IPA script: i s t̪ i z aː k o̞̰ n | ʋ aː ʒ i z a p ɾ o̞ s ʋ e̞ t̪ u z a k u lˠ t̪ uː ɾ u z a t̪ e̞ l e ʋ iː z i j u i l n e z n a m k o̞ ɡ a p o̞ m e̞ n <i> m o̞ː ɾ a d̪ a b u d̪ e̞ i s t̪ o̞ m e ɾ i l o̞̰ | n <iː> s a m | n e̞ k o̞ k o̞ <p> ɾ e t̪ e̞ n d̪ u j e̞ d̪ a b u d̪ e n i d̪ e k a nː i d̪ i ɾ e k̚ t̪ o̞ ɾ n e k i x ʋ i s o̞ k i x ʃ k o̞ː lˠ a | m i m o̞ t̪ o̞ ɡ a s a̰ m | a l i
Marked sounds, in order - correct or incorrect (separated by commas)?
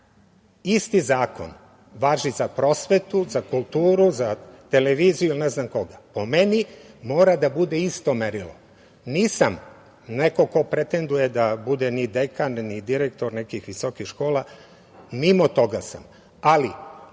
correct, correct, correct